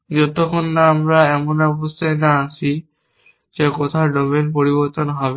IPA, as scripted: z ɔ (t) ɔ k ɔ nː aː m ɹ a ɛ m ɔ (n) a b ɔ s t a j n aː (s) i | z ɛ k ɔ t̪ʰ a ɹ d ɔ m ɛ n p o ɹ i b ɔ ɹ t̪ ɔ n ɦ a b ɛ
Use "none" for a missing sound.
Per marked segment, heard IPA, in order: t, n, s

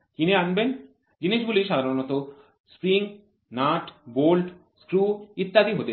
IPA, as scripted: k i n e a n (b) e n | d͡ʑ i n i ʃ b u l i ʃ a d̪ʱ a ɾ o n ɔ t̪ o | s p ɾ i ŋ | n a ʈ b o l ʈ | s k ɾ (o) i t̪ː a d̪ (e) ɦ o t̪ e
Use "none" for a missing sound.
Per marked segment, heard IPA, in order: b, u, i

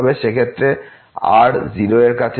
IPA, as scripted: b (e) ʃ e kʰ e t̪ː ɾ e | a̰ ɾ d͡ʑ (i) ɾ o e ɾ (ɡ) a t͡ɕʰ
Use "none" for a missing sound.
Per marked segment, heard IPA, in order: e, i, k

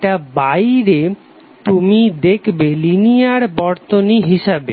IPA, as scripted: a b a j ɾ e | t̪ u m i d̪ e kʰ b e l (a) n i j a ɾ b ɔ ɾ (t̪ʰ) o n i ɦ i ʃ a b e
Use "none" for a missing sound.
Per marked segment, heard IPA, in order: i, t̪

